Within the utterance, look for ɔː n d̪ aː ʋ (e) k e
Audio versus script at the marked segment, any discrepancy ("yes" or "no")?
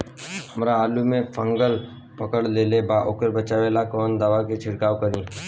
yes